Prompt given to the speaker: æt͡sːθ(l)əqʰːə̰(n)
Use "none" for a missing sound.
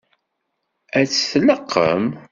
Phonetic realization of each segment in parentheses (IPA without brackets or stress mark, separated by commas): l, m